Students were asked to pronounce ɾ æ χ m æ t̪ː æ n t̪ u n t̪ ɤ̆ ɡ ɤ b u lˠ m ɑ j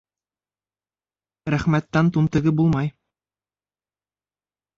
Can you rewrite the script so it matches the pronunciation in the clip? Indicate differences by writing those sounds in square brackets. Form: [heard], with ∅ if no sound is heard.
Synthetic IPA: ɾ æ χ m æ t̪ː æ n t̪ u n t̪ ɤ̆ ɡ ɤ b u lˠ m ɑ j